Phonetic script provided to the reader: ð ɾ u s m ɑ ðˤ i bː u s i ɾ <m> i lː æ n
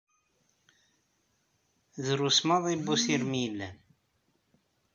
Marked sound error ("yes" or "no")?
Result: no